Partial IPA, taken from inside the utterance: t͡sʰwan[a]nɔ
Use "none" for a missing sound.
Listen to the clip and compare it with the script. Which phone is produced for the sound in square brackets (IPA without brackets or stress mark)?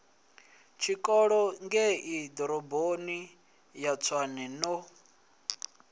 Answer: ɛ